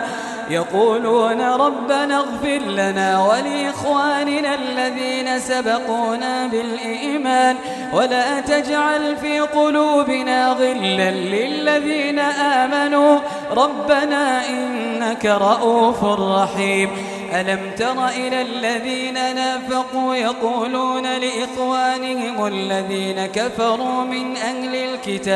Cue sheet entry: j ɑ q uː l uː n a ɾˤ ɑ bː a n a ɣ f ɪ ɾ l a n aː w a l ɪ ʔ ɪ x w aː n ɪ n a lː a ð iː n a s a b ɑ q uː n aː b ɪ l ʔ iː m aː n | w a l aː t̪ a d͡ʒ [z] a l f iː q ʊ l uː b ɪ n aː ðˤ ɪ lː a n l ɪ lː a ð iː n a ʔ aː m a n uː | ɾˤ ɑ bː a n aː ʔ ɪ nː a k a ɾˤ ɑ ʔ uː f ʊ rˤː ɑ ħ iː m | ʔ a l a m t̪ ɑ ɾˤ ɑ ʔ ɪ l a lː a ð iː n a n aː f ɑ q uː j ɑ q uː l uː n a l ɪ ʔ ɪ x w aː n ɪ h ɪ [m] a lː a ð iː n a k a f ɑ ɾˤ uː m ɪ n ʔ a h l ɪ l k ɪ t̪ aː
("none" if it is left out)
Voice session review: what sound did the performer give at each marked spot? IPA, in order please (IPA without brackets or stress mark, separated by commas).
ʕ, m